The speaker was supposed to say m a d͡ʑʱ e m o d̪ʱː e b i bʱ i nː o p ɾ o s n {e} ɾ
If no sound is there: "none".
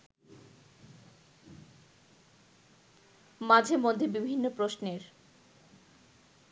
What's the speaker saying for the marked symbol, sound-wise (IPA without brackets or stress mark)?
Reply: e